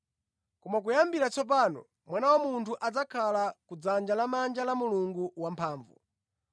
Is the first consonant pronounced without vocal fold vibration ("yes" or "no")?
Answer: yes